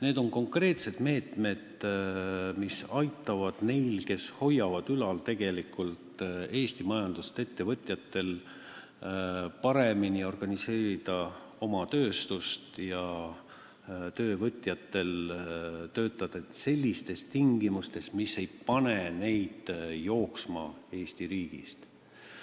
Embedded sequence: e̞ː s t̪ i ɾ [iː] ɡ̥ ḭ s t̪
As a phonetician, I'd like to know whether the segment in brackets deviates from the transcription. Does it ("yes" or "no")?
no